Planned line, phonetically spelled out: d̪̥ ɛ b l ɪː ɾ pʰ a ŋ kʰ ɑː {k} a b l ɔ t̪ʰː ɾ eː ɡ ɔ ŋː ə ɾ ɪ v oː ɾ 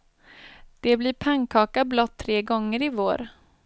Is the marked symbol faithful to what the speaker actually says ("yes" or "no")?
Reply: yes